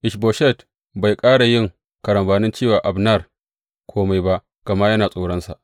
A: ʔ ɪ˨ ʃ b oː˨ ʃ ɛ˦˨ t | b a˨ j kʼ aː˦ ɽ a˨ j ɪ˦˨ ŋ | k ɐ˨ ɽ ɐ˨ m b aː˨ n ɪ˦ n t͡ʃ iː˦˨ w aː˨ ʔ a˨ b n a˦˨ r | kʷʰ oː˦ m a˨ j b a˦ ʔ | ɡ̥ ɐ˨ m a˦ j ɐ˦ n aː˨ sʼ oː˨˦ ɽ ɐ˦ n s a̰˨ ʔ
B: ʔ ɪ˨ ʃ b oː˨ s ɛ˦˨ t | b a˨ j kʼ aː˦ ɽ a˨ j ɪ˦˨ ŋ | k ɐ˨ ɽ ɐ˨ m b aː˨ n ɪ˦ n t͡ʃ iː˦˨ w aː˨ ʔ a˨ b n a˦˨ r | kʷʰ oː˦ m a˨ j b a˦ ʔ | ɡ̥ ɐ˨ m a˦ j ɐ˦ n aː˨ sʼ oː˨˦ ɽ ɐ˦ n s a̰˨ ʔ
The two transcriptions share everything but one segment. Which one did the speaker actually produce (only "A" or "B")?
A